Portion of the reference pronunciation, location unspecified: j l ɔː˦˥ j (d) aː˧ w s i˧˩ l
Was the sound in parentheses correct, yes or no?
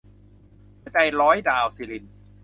yes